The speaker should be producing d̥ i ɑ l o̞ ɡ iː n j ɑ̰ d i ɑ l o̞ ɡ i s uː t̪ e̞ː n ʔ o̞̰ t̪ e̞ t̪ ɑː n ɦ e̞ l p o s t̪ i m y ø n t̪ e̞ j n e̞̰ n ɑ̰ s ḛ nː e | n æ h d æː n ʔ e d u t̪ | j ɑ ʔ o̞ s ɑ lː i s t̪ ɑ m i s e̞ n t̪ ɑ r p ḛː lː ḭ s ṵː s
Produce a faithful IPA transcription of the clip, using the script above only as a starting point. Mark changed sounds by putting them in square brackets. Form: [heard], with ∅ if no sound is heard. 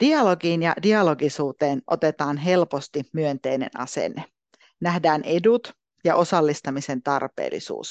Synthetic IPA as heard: d̥ i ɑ l o̞ ɡ iː n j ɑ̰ d i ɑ l o̞ ɡ i s uː t̪ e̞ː n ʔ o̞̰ t̪ e̞ t̪ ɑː n ɦ e̞ l p o s t̪ i m y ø n t̪ e̞ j n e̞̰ n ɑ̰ s ḛ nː e | n æ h d æː n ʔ e d u t̪ | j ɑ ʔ o̞ s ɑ lː i s t̪ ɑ m i s e̞ n t̪ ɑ r p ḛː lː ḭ s ṵː s